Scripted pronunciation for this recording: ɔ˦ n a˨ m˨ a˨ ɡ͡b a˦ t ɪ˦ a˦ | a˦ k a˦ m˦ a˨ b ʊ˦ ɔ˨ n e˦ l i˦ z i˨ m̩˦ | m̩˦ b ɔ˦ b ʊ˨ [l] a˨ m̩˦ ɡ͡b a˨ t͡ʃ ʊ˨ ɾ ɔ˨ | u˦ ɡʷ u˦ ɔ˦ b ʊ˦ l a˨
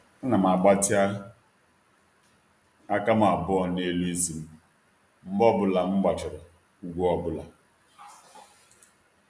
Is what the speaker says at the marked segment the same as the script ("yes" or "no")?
yes